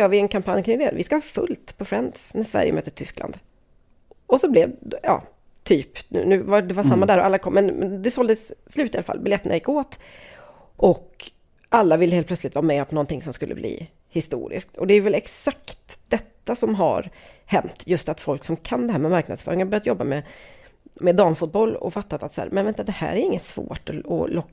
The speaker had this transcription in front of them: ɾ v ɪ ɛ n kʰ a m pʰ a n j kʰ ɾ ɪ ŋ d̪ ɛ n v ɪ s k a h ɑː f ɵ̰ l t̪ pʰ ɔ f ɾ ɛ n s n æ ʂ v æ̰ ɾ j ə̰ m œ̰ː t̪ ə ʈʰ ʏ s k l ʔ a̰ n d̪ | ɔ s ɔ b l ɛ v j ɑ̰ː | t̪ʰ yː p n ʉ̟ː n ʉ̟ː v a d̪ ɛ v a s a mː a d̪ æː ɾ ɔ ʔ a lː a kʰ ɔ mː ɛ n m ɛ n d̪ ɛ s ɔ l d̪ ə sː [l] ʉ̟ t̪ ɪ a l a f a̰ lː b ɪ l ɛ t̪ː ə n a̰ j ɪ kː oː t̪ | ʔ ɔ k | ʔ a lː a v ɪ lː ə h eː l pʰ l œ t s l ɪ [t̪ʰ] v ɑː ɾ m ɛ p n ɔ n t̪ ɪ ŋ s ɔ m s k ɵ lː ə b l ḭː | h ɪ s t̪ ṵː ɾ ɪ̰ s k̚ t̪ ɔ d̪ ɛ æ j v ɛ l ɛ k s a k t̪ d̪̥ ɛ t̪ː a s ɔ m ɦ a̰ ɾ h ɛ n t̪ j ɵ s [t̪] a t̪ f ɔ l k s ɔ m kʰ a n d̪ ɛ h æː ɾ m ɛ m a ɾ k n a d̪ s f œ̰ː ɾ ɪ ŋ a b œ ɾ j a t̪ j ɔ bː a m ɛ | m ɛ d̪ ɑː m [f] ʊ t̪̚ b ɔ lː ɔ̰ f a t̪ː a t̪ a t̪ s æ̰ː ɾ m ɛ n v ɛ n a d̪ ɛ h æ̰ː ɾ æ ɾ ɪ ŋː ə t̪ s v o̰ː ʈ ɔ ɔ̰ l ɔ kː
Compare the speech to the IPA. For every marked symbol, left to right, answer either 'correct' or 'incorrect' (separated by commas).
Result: correct, incorrect, correct, correct